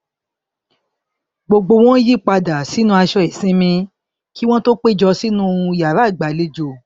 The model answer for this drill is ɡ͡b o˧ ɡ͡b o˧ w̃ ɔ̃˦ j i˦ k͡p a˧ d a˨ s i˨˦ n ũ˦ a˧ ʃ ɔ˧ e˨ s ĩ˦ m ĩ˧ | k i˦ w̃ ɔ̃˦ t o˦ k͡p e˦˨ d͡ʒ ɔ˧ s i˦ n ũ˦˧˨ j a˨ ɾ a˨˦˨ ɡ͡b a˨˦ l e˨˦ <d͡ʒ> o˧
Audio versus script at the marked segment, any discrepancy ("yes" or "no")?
no